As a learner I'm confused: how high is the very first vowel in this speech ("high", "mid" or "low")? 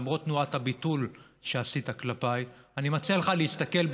mid